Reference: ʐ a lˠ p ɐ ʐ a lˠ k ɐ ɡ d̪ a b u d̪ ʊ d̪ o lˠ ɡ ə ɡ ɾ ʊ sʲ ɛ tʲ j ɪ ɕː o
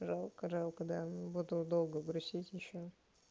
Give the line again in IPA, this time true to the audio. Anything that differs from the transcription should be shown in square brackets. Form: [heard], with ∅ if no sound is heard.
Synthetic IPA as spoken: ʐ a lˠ [k] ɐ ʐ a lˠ k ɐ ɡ d̪ a b u d̪ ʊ d̪ o lˠ ɡ ə ɡ ɾ ʊ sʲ [i] tʲ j ɪ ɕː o